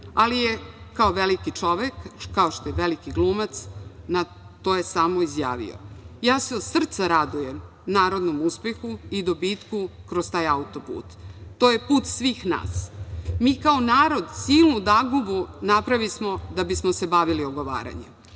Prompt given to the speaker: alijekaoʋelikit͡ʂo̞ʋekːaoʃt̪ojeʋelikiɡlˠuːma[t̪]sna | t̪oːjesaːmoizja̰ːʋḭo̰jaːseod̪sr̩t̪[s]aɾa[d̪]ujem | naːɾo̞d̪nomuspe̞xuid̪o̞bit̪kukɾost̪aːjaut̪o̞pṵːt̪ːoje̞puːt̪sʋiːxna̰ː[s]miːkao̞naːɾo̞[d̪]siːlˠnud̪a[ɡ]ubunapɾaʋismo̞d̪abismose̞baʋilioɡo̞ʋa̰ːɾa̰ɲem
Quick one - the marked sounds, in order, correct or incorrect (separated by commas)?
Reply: correct, correct, correct, correct, correct, correct